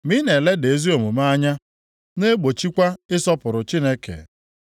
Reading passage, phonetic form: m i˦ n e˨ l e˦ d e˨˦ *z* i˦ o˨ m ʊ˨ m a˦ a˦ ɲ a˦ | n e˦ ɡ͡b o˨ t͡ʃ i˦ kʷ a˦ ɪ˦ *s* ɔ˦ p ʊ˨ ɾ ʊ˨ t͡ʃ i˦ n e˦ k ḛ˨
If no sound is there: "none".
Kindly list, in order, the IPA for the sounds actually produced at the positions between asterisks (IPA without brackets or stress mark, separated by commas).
z, s